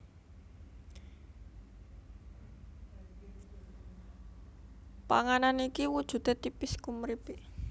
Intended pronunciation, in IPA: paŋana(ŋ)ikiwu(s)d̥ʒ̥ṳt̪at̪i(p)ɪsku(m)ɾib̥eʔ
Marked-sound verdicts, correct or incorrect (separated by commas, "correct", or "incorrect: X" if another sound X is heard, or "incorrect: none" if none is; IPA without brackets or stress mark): incorrect: n, incorrect: none, correct, correct